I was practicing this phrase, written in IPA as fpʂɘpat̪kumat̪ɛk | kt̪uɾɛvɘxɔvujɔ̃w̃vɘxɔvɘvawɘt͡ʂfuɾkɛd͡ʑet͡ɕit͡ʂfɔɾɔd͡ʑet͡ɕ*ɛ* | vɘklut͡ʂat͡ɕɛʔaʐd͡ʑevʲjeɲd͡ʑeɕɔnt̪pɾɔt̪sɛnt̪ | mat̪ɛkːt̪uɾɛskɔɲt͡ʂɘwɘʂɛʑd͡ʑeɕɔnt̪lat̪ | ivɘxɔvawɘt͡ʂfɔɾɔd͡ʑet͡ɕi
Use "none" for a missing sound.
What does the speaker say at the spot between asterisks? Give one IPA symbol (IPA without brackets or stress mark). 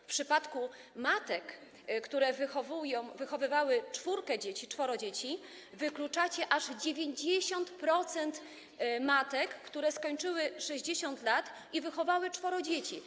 i